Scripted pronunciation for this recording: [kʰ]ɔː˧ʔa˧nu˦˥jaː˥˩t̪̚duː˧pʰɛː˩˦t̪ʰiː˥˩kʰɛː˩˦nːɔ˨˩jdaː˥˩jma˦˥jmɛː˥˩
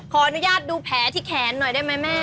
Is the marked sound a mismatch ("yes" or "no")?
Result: no